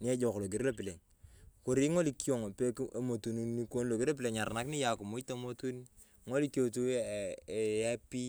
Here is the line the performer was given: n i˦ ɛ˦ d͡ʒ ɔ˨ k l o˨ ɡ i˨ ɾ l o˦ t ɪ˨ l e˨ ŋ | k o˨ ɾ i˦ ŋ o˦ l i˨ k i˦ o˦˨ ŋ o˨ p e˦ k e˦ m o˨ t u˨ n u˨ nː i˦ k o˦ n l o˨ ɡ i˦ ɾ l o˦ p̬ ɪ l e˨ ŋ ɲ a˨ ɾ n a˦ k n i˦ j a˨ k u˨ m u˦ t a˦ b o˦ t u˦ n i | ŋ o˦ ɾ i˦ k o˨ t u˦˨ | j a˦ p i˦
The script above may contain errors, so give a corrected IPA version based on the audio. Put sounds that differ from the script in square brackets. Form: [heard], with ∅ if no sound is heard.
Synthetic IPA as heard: n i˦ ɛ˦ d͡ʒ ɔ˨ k l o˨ ɡ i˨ ɾ l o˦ [p] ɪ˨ l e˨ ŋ | k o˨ ɾ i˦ ŋ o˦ l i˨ k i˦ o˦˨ ŋ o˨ p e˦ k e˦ m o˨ t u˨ n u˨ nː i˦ k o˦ n l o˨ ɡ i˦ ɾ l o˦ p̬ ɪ l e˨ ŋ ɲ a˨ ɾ n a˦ k n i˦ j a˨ k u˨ m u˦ t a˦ [m] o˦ t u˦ n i | ŋ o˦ [l] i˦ k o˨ t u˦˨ | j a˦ p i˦